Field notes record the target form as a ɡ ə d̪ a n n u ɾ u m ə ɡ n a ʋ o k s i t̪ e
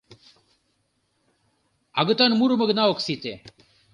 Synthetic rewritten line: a ɡ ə t̪ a n m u ɾ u m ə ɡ n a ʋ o k s i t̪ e